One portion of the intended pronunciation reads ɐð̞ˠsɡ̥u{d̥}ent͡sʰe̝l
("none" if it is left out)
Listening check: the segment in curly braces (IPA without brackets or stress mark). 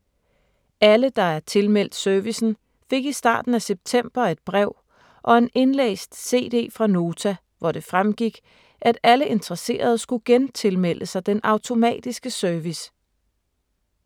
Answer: ɡ̥